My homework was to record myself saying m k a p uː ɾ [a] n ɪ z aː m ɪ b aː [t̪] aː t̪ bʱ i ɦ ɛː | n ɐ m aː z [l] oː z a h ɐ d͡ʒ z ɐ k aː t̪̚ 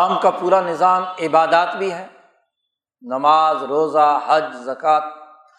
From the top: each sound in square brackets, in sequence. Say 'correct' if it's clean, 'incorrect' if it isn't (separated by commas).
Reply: correct, incorrect, incorrect